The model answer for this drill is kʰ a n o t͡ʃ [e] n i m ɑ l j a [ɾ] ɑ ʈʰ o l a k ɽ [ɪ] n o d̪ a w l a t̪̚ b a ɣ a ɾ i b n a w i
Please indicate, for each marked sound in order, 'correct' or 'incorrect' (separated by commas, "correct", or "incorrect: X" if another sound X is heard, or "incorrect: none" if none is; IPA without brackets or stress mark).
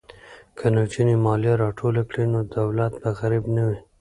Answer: incorrect: i, correct, incorrect: i